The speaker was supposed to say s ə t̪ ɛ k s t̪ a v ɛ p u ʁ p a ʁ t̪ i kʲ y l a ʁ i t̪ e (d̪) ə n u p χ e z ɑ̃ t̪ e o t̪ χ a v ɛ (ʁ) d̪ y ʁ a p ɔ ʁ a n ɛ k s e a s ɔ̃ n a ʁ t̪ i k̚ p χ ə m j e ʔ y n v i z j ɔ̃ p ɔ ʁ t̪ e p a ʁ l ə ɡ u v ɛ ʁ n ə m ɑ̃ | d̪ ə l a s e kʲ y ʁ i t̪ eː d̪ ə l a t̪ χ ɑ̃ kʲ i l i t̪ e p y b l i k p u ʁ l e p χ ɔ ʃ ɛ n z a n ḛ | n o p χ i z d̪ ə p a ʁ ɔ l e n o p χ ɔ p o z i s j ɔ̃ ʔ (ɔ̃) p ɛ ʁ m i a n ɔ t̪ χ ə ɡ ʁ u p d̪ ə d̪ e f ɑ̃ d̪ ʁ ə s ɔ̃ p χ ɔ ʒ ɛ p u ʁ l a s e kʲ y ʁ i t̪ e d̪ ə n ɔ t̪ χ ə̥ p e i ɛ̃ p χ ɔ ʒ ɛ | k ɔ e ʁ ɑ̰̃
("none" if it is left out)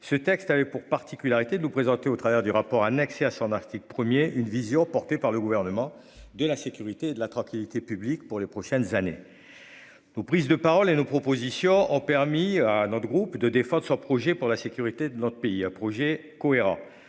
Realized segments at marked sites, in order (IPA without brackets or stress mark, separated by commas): d̪, ʁ, ɔ̃